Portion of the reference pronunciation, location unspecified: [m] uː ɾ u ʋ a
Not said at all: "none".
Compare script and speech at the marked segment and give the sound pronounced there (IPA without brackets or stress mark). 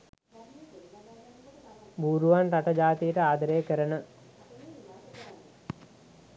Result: b